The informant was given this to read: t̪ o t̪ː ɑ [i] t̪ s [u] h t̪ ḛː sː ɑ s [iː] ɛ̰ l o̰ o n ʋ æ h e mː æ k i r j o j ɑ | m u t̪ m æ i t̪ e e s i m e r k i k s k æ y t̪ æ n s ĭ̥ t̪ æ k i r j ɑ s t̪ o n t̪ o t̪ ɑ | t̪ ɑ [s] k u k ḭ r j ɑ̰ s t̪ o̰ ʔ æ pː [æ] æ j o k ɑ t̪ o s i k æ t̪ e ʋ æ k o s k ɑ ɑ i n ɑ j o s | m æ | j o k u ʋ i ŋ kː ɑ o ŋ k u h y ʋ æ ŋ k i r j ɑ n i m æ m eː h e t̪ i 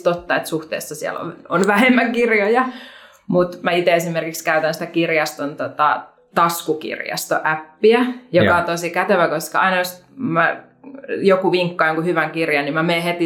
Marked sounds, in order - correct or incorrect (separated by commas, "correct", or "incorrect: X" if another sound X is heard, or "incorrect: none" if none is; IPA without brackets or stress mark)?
incorrect: e, correct, incorrect: i, correct, incorrect: i